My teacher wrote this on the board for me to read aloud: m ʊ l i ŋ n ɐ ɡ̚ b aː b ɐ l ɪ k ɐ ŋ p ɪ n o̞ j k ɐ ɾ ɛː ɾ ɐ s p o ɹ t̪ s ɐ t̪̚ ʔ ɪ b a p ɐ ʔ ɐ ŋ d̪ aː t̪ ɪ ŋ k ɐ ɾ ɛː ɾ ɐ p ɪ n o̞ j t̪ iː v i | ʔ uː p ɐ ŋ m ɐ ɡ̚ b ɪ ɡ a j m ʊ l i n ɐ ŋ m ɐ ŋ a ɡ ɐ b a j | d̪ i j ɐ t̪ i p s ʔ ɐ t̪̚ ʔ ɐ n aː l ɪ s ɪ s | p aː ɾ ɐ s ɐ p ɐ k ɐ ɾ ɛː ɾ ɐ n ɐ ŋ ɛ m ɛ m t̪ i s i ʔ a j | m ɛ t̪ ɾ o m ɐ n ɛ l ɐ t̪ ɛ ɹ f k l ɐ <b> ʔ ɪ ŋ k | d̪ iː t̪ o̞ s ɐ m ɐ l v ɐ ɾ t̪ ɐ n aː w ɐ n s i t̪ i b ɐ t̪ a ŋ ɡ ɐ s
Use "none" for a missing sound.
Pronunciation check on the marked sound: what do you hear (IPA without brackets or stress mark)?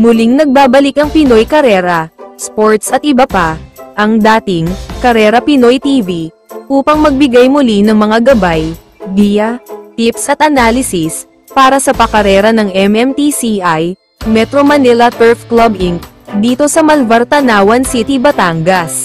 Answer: b